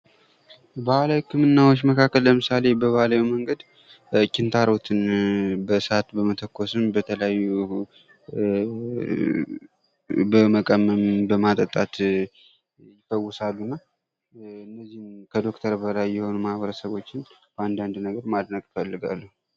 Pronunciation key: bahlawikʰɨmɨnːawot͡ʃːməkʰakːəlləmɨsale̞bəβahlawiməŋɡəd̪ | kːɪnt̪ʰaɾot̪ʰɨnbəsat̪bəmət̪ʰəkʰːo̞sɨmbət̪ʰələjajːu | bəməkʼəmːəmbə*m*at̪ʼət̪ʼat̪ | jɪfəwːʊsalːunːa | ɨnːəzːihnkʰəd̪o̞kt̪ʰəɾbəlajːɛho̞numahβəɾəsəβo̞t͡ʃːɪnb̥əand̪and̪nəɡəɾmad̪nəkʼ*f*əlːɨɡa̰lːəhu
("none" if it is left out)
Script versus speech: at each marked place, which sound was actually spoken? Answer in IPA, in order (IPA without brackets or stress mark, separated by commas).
m, f